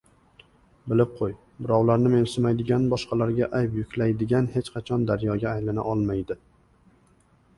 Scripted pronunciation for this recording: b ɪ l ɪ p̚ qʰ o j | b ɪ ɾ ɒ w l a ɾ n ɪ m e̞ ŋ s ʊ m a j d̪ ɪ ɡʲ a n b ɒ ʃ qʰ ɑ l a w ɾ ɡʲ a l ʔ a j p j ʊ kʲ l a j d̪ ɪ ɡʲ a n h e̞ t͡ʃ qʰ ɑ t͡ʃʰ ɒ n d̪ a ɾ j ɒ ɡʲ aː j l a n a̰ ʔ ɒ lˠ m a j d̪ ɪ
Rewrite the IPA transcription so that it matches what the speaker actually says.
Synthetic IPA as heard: b ɪ l ɪ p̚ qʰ o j | b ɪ ɾ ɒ w l a ɾ n ɪ m e̞ n s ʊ m a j d̪ ɪ ɡʲ a n b ɒ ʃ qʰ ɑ l a ɾ ɡʲ a ʔ a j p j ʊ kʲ l a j d̪ ɪ ɡʲ a n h e̞ t͡ʃ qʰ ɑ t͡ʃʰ ɒ n d̪ a ɾ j ɒ ɡʲ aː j l a n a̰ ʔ ɒ lˠ m a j d̪ ɪ